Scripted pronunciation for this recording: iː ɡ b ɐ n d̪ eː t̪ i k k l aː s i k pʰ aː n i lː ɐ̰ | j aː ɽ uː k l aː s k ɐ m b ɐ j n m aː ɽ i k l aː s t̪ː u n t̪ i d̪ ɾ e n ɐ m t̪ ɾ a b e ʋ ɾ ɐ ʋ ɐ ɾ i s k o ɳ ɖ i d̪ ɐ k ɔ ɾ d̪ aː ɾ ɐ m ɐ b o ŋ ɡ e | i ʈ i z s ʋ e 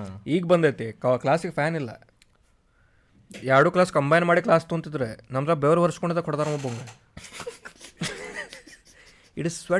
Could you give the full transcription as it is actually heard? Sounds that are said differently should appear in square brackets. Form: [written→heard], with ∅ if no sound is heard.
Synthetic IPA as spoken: iː ɡ b ɐ n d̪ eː t̪ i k k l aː s i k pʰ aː n i lː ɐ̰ | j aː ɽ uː k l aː s k ɐ m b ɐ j n m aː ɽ i k l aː s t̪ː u n t̪ i d̪ ɾ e n ɐ m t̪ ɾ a b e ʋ ɾ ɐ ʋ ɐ ɾ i s k o ɳ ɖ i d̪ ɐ k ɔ [ɾ→ɽ] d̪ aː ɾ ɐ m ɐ b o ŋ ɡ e | i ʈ i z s ʋ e